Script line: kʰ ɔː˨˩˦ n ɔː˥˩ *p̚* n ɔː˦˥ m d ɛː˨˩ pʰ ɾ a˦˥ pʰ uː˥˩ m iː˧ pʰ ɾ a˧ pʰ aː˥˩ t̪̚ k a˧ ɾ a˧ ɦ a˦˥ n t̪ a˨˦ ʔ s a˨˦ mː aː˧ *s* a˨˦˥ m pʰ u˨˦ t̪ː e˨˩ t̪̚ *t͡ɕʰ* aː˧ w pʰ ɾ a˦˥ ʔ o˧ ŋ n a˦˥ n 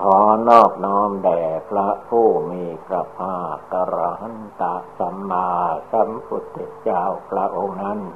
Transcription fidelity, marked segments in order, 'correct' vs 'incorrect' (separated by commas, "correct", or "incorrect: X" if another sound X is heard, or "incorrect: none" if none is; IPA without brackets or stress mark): incorrect: k̚, correct, incorrect: t͡ɕ